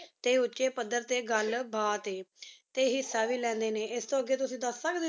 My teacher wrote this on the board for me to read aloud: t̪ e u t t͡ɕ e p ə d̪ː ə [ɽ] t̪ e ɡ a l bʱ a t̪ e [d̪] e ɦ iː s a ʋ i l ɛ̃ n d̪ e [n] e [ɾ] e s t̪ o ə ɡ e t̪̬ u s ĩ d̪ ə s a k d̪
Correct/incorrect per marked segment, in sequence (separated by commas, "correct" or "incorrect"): incorrect, incorrect, correct, incorrect